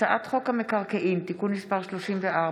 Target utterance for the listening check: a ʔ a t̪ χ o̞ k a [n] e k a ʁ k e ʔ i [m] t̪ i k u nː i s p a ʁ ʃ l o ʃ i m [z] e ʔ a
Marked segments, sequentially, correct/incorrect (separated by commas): incorrect, correct, incorrect